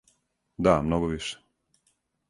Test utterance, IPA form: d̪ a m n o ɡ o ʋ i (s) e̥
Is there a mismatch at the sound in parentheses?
yes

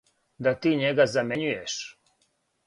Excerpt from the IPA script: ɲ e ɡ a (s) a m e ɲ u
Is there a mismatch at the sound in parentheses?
yes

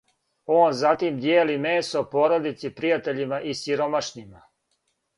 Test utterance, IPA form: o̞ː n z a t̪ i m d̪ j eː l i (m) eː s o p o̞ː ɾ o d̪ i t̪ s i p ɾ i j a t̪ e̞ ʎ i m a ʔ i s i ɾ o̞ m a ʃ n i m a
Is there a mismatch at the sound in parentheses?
no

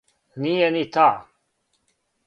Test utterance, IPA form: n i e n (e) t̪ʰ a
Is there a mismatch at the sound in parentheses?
yes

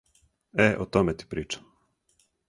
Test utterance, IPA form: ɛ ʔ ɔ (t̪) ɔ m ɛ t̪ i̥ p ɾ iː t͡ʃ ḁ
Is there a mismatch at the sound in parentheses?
no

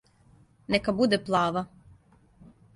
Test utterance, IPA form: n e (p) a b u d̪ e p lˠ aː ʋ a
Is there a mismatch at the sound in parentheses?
yes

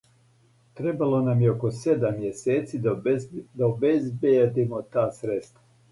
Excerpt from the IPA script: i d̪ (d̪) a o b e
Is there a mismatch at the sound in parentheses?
no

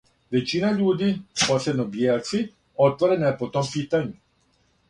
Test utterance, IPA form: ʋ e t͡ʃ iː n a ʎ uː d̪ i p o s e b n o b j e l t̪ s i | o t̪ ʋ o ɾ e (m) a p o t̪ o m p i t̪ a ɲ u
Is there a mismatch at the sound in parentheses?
yes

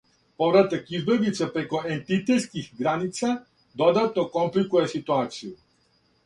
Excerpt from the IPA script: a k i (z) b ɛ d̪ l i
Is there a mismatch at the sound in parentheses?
no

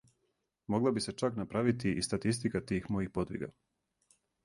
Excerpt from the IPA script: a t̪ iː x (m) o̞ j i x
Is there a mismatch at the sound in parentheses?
no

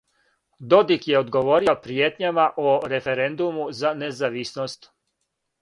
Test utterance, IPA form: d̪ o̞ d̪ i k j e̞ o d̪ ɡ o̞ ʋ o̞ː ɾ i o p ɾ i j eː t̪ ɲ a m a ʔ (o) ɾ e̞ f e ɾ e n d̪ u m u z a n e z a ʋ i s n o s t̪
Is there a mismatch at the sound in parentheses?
no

